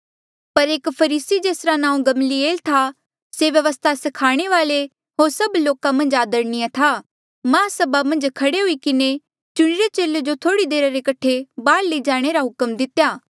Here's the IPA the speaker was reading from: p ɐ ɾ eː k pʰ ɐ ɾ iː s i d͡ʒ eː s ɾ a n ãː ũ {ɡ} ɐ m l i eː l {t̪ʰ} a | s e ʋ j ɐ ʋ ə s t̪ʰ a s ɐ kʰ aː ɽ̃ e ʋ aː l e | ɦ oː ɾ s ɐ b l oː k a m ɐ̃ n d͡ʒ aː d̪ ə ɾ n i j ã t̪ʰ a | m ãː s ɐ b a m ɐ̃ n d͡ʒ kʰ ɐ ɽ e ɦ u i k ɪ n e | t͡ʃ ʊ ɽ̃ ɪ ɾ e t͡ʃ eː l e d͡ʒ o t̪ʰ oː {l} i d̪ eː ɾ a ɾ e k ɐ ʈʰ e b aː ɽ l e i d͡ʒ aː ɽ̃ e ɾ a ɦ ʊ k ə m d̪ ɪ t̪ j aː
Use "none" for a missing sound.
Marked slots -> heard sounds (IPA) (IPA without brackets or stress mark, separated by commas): ɡ, t̪ʰ, ɽ